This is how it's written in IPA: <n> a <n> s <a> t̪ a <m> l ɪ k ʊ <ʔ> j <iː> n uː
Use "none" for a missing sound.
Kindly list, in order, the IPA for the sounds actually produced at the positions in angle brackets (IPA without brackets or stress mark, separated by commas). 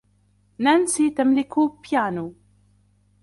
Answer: n, n, i, m, p, aː